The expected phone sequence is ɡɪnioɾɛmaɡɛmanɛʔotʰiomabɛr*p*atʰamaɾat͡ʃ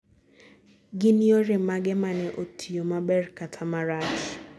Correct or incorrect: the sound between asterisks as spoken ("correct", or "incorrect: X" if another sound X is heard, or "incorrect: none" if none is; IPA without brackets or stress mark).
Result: incorrect: k